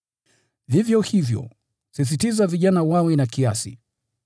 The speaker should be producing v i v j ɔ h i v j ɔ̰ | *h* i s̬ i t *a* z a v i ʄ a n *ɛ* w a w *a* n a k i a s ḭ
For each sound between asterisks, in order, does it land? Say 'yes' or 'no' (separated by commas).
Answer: no, no, no, no